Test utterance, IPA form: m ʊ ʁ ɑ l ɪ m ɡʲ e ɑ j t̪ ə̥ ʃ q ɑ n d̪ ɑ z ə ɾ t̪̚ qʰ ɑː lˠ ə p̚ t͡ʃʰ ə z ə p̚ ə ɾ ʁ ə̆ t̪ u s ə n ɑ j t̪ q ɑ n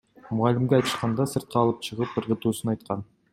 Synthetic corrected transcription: m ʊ ʁ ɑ l ɪ m ɡʲ e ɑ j t̪ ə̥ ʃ q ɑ n d̪ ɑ s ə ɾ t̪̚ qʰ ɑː lˠ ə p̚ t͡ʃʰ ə ʁ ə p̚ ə ɾ ʁ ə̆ t̪ u s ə n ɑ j t̪ q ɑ n